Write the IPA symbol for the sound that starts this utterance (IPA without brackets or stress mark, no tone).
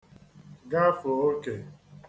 ɡ